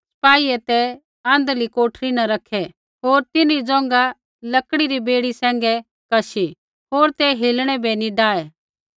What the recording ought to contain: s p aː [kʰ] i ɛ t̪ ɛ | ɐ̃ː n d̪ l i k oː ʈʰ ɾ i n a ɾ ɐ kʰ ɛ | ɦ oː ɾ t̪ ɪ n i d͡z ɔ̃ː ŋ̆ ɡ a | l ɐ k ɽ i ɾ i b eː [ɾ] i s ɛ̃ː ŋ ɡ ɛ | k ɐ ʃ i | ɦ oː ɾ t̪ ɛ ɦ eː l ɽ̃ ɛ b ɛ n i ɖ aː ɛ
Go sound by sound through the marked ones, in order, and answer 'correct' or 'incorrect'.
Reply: incorrect: none, incorrect: ɽ

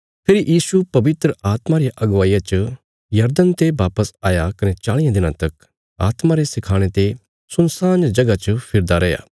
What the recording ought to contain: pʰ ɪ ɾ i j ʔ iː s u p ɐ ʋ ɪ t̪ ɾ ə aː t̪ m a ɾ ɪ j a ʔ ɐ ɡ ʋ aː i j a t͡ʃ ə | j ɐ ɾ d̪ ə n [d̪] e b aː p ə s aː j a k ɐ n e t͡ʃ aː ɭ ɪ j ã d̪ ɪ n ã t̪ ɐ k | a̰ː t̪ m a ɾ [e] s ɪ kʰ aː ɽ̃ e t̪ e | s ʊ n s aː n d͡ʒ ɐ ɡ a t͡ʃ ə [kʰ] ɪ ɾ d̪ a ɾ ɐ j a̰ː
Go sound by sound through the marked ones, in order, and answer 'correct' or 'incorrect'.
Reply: incorrect: t̪, correct, incorrect: pʰ

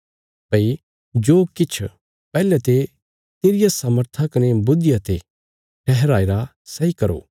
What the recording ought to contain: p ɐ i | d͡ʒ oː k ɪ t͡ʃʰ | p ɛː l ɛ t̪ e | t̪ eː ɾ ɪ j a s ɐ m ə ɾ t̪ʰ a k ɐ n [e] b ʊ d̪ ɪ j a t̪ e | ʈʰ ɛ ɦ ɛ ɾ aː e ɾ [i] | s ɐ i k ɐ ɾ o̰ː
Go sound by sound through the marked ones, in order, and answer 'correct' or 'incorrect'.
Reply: correct, incorrect: a

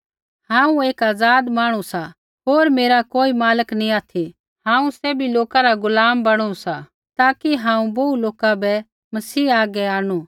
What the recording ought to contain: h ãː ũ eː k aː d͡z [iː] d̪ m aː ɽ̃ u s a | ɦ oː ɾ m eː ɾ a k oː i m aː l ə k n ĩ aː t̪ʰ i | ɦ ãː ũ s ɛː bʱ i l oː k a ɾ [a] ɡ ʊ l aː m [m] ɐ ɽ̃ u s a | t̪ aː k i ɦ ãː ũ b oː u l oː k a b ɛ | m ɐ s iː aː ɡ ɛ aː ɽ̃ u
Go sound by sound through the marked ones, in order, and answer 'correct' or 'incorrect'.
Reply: incorrect: aː, correct, incorrect: b

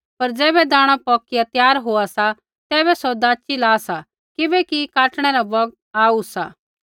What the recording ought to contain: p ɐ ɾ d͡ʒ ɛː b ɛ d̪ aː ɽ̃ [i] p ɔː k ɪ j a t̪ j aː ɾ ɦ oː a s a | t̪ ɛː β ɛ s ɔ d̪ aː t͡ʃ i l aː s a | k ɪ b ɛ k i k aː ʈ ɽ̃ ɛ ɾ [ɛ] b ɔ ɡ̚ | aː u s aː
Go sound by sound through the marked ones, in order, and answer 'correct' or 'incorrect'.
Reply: incorrect: a, incorrect: a

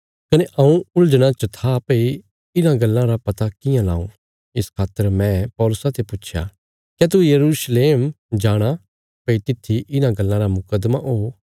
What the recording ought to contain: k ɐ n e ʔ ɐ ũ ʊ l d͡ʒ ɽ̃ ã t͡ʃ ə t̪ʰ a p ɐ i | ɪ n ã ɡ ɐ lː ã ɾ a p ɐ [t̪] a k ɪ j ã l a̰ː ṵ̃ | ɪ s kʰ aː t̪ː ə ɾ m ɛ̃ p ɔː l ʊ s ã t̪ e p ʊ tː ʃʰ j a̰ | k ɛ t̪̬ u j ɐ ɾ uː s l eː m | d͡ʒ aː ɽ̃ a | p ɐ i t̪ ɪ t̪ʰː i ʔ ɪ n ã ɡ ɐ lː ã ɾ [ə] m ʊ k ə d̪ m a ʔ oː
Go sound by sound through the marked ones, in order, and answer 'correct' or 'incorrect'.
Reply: correct, incorrect: a

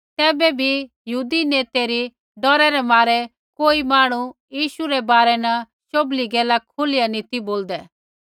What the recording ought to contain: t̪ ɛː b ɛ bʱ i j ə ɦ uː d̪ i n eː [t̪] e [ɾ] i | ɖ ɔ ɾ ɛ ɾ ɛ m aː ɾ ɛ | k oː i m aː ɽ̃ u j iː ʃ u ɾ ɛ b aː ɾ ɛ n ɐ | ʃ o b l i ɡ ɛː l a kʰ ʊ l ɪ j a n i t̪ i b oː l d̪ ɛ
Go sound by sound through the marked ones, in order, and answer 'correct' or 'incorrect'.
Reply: correct, correct

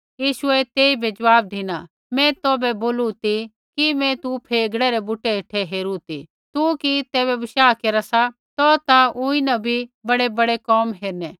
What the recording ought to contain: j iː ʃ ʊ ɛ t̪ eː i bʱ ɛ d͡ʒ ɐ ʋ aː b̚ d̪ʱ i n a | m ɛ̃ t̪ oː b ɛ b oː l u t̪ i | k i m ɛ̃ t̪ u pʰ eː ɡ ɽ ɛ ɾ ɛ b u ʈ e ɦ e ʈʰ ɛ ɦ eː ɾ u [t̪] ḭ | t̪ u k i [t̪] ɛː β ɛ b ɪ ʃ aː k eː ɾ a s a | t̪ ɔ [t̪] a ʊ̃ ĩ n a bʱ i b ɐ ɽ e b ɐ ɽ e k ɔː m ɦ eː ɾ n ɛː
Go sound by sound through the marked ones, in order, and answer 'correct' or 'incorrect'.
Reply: correct, correct, correct

